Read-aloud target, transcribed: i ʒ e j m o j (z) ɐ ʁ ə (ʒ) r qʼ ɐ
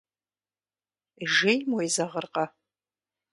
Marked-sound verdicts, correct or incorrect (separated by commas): correct, incorrect